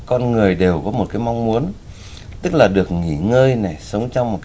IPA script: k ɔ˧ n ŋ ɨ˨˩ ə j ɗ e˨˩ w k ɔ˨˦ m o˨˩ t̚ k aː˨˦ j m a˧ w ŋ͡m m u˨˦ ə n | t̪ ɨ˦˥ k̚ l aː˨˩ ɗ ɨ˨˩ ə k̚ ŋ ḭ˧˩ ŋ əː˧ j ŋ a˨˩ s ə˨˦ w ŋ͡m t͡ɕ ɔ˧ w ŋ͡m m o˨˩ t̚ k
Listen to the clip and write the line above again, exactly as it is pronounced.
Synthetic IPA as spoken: k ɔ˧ n ŋ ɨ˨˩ ə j ɗ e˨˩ w k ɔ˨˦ m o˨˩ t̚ k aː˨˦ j m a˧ w ŋ͡m m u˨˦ ə n | t̪ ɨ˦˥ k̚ l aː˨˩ ɗ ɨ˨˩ ə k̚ ŋ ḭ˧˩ ŋ əː˧ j n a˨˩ s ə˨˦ w ŋ͡m t͡ɕ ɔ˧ w ŋ͡m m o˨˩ t̚ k